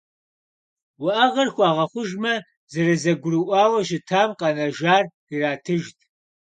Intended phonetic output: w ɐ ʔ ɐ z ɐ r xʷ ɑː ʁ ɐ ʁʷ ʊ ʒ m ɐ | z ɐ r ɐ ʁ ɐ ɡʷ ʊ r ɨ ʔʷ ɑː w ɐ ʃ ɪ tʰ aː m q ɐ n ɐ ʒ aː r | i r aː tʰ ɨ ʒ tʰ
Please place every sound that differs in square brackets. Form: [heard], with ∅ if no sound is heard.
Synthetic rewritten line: w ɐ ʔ ɐ [ʁ] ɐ r xʷ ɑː ʁ ɐ [χʷ] ʊ ʒ m ɐ | z ɐ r ɐ [z] ɐ ɡʷ ʊ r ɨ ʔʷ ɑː w ɐ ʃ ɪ tʰ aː m q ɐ n ɐ ʒ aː r | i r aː tʰ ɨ ʒ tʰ